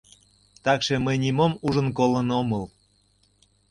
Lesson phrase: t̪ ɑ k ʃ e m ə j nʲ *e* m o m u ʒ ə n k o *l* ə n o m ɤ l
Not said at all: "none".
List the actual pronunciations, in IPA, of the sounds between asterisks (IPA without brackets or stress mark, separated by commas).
i, l